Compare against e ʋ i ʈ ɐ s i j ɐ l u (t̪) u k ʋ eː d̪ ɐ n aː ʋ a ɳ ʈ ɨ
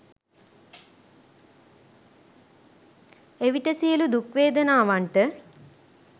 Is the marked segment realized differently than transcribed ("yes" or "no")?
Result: yes